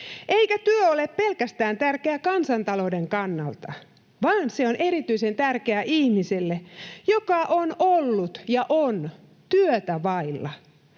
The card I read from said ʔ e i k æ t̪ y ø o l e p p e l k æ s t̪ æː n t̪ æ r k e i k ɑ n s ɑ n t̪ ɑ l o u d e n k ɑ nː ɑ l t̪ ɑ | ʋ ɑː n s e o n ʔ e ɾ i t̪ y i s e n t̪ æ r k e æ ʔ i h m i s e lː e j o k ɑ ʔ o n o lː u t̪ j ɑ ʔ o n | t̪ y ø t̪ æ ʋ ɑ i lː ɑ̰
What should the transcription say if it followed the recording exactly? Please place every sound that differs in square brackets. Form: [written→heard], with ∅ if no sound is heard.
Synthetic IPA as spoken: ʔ e i k æ t̪ y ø o l e p p e l k æ s t̪ æː n t̪ æ r k e [i→æ] k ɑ n s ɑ n t̪ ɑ l o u d e [n→ŋ] k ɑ nː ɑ l t̪ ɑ | ʋ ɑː n s e o n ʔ e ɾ i t̪ y i s e n t̪ æ r k e æ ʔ i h m i s e lː e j o k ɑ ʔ o n o lː u t̪ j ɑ ʔ o n | t̪ y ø t̪ æ ʋ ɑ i lː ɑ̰